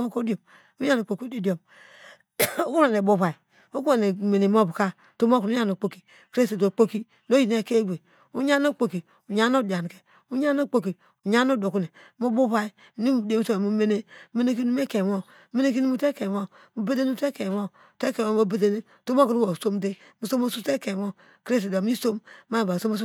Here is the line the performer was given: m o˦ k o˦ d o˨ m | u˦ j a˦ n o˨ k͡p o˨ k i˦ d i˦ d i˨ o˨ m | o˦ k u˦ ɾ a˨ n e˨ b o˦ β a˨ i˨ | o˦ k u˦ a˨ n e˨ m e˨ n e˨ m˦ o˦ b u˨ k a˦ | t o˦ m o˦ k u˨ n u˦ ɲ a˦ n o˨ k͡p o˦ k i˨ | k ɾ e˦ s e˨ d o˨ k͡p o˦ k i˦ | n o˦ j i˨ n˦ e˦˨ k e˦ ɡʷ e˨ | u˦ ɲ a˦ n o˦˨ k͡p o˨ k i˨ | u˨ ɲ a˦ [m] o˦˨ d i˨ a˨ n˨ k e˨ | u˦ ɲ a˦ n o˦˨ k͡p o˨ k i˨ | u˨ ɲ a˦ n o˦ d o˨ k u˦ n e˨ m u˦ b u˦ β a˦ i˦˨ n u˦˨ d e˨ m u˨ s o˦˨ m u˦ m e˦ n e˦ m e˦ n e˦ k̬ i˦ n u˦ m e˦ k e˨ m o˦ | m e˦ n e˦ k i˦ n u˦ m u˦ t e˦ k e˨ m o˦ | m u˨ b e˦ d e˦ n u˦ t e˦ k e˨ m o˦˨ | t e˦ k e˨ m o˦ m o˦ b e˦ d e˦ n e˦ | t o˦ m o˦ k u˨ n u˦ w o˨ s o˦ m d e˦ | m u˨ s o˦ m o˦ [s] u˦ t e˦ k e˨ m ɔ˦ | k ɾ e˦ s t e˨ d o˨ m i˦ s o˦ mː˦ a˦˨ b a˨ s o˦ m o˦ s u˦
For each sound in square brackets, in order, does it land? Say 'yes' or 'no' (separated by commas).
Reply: no, yes